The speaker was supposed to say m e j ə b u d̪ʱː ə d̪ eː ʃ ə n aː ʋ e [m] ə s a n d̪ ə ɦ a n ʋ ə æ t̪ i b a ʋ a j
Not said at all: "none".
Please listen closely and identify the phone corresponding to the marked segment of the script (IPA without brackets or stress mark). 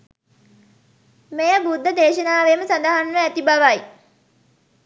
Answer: m